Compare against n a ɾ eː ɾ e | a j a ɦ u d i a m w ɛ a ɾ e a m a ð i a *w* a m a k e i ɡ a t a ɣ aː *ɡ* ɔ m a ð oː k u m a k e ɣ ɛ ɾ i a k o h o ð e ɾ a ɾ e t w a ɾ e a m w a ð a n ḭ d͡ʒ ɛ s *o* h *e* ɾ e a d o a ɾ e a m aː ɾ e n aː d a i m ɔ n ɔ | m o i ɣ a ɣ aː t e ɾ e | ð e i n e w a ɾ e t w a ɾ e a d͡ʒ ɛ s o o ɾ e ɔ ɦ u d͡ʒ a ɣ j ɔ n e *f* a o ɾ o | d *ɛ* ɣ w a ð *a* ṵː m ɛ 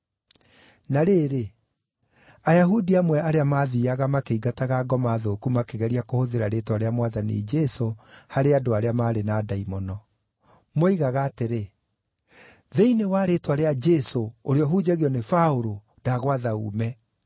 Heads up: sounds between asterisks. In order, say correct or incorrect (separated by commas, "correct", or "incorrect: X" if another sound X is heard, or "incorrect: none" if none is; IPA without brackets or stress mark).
incorrect: ɣ, correct, correct, incorrect: a, correct, incorrect: a, correct